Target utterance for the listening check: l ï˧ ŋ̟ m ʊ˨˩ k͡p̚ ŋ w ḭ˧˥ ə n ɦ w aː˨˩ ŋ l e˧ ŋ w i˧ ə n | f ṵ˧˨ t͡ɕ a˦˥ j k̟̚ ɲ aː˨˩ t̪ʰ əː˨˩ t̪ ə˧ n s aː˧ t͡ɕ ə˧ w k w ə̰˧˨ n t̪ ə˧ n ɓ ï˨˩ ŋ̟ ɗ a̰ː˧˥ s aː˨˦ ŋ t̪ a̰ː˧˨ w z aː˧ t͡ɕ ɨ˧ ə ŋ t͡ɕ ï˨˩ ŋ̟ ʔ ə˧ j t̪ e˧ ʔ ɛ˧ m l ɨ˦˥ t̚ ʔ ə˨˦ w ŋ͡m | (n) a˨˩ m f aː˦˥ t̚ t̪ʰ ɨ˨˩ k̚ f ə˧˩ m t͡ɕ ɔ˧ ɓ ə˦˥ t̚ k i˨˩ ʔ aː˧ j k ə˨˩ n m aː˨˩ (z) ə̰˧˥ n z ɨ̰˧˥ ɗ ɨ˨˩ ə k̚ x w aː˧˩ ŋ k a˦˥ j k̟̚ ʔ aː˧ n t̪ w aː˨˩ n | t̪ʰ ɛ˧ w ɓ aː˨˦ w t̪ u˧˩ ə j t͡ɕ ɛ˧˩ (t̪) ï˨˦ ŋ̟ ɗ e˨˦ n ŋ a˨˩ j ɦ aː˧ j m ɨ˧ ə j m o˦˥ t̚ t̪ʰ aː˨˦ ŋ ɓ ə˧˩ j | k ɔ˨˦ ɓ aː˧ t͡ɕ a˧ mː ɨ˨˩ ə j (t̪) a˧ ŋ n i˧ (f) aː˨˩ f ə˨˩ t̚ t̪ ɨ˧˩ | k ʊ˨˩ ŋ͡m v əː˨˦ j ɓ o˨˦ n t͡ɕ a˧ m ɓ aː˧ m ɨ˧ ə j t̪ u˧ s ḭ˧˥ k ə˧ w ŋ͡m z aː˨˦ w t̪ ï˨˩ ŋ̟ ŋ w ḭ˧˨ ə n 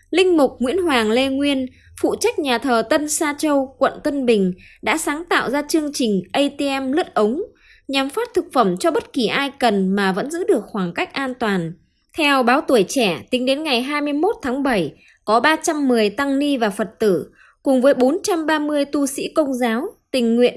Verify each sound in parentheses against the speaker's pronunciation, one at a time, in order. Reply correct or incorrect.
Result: incorrect: ɲ, incorrect: v, correct, correct, incorrect: v

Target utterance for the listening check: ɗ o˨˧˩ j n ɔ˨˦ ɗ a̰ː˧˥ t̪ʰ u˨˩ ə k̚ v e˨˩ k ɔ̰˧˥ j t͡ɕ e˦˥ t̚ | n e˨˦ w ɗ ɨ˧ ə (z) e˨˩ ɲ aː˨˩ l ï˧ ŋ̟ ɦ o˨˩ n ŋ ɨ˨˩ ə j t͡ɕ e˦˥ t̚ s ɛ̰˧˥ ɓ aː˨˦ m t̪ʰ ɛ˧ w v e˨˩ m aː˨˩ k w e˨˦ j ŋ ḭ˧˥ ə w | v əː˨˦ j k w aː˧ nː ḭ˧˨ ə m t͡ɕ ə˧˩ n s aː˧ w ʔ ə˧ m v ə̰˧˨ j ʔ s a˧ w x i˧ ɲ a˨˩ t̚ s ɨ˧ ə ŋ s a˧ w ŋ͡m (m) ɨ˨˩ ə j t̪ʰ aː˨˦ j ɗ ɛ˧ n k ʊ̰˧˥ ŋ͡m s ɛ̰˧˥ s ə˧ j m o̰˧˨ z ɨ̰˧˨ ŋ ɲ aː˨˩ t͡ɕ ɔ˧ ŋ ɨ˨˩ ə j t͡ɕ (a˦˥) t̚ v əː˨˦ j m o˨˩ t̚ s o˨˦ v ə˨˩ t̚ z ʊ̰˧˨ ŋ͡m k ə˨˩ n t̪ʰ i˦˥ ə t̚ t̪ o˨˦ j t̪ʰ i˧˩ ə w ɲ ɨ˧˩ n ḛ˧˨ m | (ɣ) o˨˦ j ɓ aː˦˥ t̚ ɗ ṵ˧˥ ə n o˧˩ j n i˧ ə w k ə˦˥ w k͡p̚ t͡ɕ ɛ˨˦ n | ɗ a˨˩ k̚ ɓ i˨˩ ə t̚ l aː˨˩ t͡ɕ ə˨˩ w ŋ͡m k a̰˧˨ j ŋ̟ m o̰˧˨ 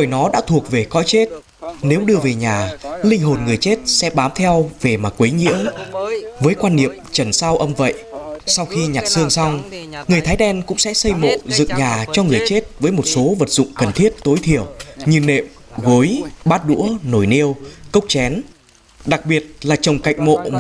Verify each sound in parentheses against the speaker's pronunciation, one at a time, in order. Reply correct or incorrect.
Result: incorrect: v, incorrect: ŋ, incorrect: e˦˥, correct

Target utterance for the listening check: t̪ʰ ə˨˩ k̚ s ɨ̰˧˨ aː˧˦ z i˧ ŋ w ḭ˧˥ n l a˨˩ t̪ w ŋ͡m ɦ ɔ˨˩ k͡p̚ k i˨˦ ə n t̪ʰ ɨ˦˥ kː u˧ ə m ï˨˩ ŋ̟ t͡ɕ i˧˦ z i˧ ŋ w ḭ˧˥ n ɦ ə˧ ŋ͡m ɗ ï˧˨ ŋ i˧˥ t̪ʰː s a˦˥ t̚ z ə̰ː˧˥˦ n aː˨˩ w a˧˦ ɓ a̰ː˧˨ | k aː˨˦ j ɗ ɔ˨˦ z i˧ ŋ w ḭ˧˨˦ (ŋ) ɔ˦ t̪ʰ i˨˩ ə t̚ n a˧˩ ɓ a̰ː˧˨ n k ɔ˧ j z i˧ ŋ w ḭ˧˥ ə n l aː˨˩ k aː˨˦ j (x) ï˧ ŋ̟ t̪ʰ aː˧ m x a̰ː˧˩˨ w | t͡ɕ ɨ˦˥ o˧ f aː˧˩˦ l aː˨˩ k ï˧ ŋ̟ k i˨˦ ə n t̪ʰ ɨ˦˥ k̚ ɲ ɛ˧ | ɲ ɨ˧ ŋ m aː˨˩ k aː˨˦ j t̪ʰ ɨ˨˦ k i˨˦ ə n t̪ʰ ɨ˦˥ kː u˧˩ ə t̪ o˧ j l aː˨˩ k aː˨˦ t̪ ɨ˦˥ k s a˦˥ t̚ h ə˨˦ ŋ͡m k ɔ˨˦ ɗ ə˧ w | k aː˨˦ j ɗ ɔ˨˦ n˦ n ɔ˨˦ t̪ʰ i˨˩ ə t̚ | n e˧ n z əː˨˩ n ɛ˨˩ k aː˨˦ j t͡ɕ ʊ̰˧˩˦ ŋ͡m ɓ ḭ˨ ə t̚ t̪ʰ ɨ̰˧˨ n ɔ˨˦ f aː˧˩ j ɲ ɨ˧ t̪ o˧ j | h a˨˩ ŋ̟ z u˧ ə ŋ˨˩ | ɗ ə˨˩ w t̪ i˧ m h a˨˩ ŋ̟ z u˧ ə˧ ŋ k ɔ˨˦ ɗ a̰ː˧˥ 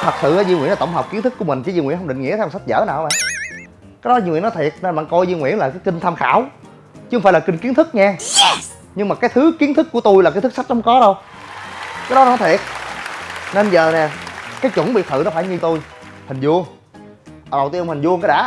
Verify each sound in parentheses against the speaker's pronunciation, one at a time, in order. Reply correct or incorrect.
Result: incorrect: n, incorrect: k

